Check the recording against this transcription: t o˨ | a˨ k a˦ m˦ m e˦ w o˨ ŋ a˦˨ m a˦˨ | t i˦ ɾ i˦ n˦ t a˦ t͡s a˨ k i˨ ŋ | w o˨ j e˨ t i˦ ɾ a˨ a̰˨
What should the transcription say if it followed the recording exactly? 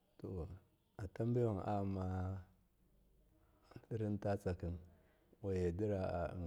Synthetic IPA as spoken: t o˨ | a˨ t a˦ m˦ b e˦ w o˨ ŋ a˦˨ m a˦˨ | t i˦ ɾ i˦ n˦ t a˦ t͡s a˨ k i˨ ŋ | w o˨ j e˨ d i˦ ɾ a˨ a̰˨